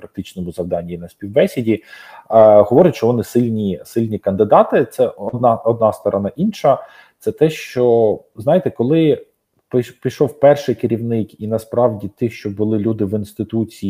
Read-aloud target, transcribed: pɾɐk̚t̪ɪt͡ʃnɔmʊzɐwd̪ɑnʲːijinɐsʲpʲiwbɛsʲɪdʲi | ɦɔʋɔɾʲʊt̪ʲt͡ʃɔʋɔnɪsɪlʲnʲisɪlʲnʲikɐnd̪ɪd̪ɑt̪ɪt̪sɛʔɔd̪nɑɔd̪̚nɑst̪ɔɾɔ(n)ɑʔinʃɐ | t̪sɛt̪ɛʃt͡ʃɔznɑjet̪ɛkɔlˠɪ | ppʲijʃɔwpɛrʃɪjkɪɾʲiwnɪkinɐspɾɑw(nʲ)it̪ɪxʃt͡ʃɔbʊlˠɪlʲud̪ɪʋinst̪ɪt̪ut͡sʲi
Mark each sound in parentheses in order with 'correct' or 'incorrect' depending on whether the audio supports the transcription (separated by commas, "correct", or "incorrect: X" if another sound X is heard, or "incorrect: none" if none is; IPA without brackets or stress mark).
correct, incorrect: dʲ